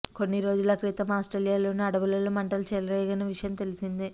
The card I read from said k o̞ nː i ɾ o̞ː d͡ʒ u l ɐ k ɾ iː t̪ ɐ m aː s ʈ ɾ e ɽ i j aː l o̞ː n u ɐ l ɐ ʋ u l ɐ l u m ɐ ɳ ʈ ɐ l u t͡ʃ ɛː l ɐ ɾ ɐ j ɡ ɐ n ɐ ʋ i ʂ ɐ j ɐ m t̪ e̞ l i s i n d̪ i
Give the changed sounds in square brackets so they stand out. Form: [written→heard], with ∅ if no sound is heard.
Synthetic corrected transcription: k o̞ nː i ɾ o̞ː d͡ʒ u l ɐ k ɾ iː t̪ ɐ m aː s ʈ ɾ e [ɽ→l] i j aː l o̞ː n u ɐ [l→ɽ] ɐ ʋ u l ɐ l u m ɐ ɳ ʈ ɐ l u t͡ʃ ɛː l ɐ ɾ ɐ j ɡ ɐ n ɐ ʋ i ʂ ɐ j ɐ m t̪ e̞ l i s i n d̪ i

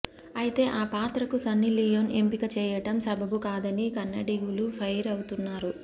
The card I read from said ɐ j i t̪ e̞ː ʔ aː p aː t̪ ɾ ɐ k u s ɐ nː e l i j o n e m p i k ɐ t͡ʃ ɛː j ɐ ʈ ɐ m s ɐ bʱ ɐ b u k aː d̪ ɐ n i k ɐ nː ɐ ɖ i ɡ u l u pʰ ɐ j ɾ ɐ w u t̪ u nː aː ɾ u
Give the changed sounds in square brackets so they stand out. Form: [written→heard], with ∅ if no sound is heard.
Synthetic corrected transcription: ɐ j i t̪ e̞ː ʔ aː p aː t̪ ɾ ɐ k u s ɐ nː [e→i] l i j o n e m p i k ɐ t͡ʃ ɛː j ɐ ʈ ɐ m s ɐ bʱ ɐ b u k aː d̪ ɐ n i k ɐ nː ɐ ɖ i ɡ u l u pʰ ɐ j ɾ ɐ w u t̪ u nː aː ɾ u

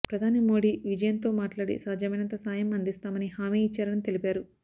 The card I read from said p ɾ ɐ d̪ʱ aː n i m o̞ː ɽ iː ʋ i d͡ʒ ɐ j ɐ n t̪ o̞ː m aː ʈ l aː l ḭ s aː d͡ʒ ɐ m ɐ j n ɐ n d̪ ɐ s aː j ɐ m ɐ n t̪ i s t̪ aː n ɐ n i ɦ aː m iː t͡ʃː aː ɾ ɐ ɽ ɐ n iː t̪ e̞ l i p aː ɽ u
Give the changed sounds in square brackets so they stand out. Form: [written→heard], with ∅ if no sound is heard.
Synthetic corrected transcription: p ɾ ɐ d̪ʱ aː n i m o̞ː ɽ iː ʋ i d͡ʒ ɐ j ɐ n t̪ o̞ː m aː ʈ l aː [l→ɽ] ḭ s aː d͡ʒ ɐ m ɐ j n ɐ n [d̪→t̪] ɐ s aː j ɐ m ɐ n [t̪→d̪] i s t̪ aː [n→m] ɐ n i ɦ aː m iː t͡ʃː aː ɾ ɐ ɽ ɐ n [iː→i] t̪ e̞ l i p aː [ɽ→ɾ] u

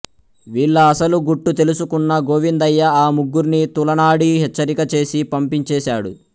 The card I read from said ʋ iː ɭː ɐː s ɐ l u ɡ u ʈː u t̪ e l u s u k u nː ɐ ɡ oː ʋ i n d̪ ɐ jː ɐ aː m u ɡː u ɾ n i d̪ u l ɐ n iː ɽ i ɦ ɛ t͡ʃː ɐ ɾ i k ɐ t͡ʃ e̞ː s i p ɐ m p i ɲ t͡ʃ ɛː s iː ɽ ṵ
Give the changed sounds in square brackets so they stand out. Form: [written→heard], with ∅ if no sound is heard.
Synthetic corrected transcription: ʋ iː ɭː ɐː s ɐ l u ɡ u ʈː u t̪ e l u s u k u nː ɐ ɡ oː ʋ i n d̪ ɐ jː ɐ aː m u ɡː u ɾ n i [d̪→t̪] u l ɐ n [iː→aː] ɽ i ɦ ɛ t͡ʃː ɐ ɾ i k ɐ t͡ʃ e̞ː s i p ɐ m p i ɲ t͡ʃ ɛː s [iː→aː] ɽ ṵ

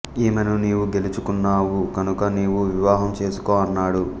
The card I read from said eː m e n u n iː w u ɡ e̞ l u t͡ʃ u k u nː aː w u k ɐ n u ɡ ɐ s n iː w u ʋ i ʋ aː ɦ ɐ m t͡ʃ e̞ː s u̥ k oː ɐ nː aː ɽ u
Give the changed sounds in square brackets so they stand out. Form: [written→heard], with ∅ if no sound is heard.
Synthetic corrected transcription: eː m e n u n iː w u ɡ e̞ l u t͡ʃ u k u nː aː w u k ɐ n u [ɡ→k] ɐ [s→∅] n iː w u ʋ i ʋ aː ɦ ɐ m t͡ʃ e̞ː s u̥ k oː ɐ nː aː ɽ u

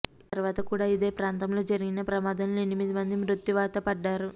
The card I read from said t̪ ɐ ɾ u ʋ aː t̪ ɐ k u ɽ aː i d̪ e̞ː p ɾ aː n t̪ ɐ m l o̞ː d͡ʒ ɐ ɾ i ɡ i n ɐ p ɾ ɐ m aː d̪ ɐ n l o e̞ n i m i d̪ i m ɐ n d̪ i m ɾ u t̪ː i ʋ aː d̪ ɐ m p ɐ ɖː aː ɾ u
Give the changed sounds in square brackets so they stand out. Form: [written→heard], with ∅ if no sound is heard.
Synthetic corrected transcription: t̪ ɐ ɾ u ʋ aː t̪ ɐ k [u→uː] ɽ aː i d̪ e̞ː p ɾ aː n t̪ ɐ m l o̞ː d͡ʒ ɐ ɾ i ɡ i n ɐ p ɾ ɐ m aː d̪ ɐ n l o e̞ n i m i d̪ i m ɐ n d̪ i m ɾ u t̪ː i ʋ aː [d̪→t̪] ɐ [m→∅] p ɐ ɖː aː ɾ u

